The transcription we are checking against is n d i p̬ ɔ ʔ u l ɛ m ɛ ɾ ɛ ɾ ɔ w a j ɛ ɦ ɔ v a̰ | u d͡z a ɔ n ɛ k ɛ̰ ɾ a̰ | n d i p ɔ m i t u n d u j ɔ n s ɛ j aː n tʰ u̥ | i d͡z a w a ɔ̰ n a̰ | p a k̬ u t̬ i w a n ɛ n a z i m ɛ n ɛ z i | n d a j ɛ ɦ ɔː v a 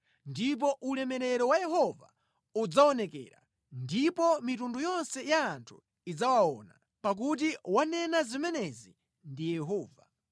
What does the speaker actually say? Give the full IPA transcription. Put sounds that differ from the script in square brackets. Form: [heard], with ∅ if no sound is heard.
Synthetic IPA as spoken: n d i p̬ ɔ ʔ u l ɛ m ɛ ɾ ɛ ɾ ɔ w a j ɛ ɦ ɔ v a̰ | u d͡z a ɔ n ɛ k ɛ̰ ɾ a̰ | n d i p ɔ m i t u n d u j ɔ n s ɛ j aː n tʰ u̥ | i d͡z a w a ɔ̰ n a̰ | p a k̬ u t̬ i w a n ɛ n a z i m ɛ n ɛ z i | n d [i] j ɛ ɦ ɔː v a

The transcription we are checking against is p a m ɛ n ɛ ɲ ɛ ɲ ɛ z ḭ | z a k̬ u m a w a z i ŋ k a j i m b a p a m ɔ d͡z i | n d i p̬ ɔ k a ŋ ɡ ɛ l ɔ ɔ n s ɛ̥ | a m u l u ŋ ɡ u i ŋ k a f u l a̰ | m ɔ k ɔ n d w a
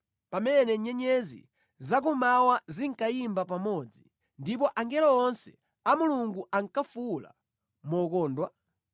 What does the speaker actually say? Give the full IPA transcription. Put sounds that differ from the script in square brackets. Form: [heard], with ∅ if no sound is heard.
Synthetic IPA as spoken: p a m ɛ n ɛ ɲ ɛ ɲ ɛ z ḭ | z a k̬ u m a w a z i ŋ k a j i m b a p a m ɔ d͡z i | n d i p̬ ɔ [ʔ] a ŋ ɡ ɛ l ɔ ɔ n s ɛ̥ | a m u l u ŋ ɡ u [a] ŋ k a f u l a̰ | m ɔ k [ɔː] n d w a

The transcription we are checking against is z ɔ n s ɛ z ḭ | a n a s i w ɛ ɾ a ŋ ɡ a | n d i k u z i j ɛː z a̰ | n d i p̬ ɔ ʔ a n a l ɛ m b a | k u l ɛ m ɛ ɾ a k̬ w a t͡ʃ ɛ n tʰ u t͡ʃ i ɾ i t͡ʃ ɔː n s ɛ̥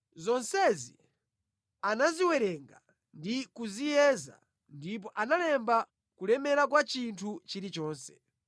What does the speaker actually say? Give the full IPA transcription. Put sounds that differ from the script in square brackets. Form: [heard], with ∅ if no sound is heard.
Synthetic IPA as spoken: z ɔ n s ɛ z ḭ | a n a [z] i w ɛ ɾ [ɛ] ŋ ɡ a | n d i k u z i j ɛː z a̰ | n d i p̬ ɔ ʔ a n a l ɛ m b a | k u l ɛ m ɛ ɾ a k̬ w a t͡ʃ [i] n tʰ u t͡ʃ i ɾ i t͡ʃ ɔː n s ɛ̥

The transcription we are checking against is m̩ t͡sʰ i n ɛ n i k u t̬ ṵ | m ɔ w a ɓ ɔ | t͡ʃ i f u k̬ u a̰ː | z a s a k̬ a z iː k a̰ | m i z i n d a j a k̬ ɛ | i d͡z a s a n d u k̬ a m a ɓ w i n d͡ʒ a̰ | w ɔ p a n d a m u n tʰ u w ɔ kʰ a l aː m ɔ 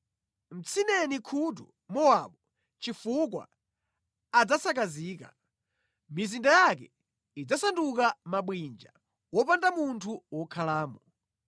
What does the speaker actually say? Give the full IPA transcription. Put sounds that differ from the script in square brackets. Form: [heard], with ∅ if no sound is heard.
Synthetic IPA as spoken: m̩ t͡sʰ i n ɛ n i [kʰ] u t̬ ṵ | m ɔ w a ɓ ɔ | t͡ʃ i f u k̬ [w] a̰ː | [d͡z] a s a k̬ a z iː k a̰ | m i z i n d a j a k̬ ɛ | i d͡z a s a n d u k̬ a m a ɓ w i n d͡ʒ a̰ | w ɔ p a n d a m u n tʰ u w ɔ kʰ a l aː m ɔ

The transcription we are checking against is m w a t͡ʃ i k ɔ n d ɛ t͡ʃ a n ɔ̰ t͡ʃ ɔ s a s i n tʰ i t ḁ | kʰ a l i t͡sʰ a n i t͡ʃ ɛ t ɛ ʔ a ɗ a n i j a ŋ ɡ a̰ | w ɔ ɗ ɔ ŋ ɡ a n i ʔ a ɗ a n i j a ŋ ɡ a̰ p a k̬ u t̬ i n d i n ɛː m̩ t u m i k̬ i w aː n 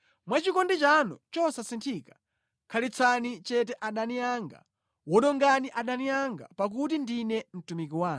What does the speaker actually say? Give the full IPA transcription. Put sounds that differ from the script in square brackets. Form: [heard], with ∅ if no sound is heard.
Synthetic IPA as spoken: m w a t͡ʃ i k ɔ n d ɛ t͡ʃ a n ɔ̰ t͡ʃ ɔ s a s i n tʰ i [k] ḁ | kʰ a l i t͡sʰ a n i t͡ʃ ɛ t ɛ ʔ a ɗ a n i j a ŋ ɡ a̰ | w ɔ ɗ ɔ ŋ ɡ a n i ʔ a ɗ a n i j a ŋ ɡ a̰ p a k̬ u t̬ i n d i n [ɛ] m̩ t u m i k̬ i w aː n

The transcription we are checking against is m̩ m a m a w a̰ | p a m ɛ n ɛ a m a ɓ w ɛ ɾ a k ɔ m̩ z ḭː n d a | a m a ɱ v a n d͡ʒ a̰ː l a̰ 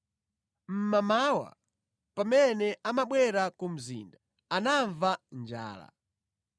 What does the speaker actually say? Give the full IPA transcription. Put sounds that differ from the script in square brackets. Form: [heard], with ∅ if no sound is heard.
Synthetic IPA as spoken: m̩ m a m a w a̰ | p a m ɛ n ɛ a m a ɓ w ɛ ɾ a k [u] m̩ z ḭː n d a | a [n] a ɱ v a n d͡ʒ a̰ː l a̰

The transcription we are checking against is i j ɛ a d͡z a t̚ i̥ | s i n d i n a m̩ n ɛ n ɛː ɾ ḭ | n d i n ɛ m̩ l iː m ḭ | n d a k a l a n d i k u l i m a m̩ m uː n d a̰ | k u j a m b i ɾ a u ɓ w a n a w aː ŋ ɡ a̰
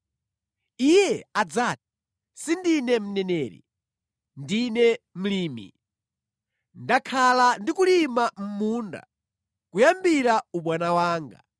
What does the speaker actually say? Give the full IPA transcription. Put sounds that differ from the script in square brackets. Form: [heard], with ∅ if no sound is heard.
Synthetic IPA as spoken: i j ɛ a d͡z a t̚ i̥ | s i n d i n [ɛ] m̩ n ɛ n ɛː ɾ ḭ | n d i n ɛ m̩ l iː m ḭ | n d a [kʰ] a l a n d i k u l i m a m̩ m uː n d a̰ | k u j a m b i ɾ a u ɓ w a n a w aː ŋ ɡ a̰

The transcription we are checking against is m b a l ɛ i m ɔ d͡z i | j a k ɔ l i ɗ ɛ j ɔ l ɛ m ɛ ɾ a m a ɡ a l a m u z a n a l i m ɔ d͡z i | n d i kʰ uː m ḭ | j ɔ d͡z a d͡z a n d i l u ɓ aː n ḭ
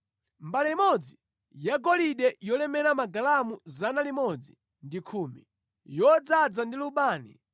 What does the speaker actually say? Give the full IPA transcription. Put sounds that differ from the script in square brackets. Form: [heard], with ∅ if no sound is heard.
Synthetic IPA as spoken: m b a l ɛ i m ɔ d͡z i | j a [ɡ] ɔ l i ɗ ɛ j ɔ l ɛ m ɛ ɾ a m a ɡ a l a m u z a n a l i m ɔ d͡z i | n d i kʰ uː m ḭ | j ɔ d͡z a d͡z a n d i l u ɓ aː n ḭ

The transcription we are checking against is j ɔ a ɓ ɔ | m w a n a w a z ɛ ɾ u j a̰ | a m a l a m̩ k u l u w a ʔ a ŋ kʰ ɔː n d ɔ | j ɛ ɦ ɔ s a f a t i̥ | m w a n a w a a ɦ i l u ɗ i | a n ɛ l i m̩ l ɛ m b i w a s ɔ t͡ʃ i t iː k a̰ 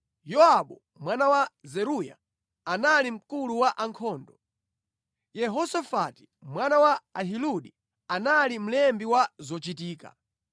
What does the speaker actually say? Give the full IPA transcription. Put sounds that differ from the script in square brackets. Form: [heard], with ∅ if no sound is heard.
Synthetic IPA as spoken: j ɔ a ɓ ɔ | m w a n a w a z ɛ ɾ u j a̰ | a [n] a l [i] m̩ k u l u w a ʔ a ŋ kʰ ɔː n d ɔ | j ɛ ɦ ɔ s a f a t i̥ | m w a n a w a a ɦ i l u ɗ i | a n [a] l i m̩ l ɛ m b i w a [z] ɔ t͡ʃ i t iː k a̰

